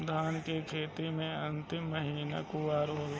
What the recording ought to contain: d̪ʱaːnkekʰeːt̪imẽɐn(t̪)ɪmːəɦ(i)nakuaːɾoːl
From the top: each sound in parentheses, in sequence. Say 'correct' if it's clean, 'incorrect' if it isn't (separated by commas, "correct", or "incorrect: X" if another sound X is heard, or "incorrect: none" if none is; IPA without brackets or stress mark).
correct, incorrect: iː